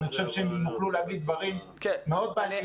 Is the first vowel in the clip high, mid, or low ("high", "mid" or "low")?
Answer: high